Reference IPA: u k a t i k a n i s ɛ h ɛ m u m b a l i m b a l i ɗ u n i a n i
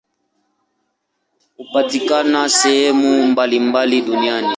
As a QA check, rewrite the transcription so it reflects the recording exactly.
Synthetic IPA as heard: u p a t i k a n a s ɛ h ɛ m u m b a l i m b a l i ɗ u n i a n i